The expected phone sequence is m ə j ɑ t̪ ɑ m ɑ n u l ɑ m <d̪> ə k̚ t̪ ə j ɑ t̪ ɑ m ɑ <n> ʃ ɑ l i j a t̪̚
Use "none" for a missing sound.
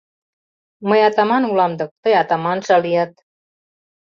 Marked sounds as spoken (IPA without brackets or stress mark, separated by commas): d̪, n